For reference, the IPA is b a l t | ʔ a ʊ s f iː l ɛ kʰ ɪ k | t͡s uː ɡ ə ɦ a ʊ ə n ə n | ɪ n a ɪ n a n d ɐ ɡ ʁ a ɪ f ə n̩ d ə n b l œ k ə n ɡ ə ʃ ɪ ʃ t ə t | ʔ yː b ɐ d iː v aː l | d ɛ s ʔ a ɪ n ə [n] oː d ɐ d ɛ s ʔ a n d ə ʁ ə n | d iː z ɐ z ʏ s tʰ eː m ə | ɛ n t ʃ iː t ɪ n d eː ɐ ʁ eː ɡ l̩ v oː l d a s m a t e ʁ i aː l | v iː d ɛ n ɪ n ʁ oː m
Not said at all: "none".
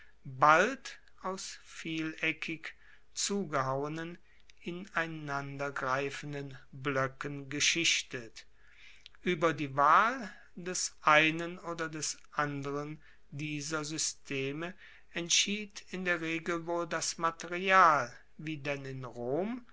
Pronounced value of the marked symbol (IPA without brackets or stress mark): n